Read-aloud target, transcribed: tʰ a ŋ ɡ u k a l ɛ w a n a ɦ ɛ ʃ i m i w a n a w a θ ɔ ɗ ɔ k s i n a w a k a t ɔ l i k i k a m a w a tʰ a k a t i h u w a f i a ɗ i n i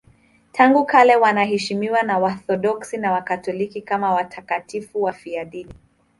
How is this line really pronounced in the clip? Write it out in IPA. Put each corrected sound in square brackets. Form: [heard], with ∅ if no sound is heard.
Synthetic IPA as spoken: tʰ a ŋ ɡ u k a l ɛ w a n a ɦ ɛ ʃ i m i w a n a w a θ ɔ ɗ ɔ k s i n a w a k a t ɔ l i k i k a m a w a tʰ a k a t i [f] u w a f i a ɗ i n i